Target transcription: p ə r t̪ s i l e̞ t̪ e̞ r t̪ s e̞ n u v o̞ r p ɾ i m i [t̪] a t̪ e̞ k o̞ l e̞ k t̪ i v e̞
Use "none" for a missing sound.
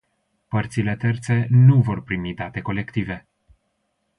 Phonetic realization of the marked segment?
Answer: d̪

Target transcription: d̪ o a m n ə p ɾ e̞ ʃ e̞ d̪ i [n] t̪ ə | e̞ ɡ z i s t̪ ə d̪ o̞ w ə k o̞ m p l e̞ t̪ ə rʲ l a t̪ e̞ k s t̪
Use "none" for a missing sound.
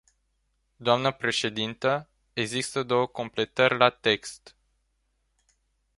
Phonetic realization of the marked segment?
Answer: n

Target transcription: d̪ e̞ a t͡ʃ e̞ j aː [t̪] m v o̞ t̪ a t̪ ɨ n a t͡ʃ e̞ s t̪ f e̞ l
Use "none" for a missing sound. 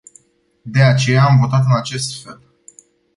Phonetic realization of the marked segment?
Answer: none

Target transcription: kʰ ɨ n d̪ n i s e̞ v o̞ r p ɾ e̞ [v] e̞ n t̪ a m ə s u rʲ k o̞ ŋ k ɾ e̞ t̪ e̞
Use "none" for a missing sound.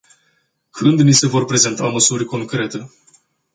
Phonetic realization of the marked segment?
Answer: z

